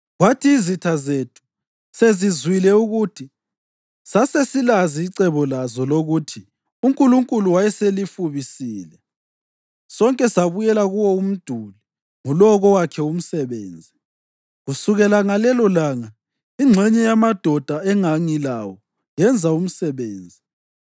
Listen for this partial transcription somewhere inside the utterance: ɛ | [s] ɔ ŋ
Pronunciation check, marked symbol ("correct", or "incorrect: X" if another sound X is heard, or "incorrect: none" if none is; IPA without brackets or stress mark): correct